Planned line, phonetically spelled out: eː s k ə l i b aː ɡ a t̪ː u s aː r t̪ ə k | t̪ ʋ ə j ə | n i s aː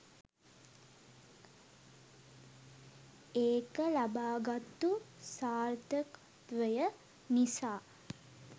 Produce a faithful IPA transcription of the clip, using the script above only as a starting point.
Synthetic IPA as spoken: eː k ə l a b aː ɡ a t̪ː u s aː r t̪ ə k | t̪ ʋ ə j ə | n i s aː